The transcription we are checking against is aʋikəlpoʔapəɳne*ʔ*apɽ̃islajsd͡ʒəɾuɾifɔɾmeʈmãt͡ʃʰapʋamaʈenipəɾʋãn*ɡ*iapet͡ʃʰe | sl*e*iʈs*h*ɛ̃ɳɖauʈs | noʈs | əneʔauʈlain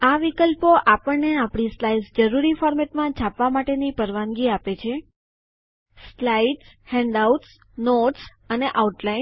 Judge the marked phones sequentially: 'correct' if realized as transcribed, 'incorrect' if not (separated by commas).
incorrect, correct, incorrect, correct